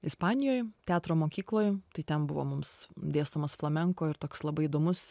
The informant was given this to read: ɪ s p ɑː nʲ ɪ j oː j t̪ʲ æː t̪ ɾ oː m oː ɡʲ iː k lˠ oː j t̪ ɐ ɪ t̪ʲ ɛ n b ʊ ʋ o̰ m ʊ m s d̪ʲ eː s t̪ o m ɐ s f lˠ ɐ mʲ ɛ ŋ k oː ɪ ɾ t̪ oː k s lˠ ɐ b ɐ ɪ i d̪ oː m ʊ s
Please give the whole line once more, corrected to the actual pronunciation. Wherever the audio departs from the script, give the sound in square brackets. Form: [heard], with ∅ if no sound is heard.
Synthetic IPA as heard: ɪ s p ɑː nʲ ɪ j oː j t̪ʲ æː t̪ ɾ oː m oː [kʲ] iː k lˠ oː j t̪ ɐ ɪ t̪ʲ ɛ n b ʊ ʋ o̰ m ʊ m s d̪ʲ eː s t̪ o m ɐ s f lˠ ɐ mʲ ɛ ŋ k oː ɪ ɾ t̪ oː k s lˠ ɐ b ɐ ɪ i d̪ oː m ʊ s